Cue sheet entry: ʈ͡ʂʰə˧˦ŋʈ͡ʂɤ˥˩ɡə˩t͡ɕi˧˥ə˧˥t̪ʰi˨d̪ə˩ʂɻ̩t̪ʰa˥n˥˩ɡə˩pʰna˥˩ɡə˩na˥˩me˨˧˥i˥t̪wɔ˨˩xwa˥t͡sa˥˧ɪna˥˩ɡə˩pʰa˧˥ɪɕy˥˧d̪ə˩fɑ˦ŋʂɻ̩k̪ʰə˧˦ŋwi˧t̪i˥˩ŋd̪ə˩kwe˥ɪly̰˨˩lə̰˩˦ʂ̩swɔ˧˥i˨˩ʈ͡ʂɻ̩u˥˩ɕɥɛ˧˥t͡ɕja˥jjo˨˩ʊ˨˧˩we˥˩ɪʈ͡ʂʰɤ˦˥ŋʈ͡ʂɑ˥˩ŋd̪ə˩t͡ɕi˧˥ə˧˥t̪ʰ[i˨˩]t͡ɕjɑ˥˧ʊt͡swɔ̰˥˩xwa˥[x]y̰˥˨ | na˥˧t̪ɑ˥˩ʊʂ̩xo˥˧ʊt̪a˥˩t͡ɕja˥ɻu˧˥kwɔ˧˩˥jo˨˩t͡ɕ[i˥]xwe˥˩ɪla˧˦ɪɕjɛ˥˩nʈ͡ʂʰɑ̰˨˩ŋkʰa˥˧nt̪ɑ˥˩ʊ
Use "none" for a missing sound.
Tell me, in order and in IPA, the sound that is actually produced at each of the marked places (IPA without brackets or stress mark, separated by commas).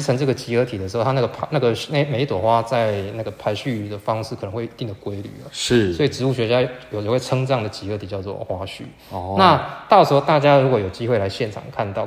i˨˩, ɕ, i˥